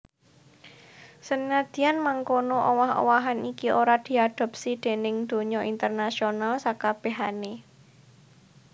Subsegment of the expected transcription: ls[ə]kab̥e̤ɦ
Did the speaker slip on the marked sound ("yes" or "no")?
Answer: yes